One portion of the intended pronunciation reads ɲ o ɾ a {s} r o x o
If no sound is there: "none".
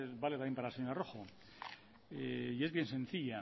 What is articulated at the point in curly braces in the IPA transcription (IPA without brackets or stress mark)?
none